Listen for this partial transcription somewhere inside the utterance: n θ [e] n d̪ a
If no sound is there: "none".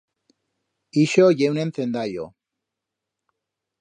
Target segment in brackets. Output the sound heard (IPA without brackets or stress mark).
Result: e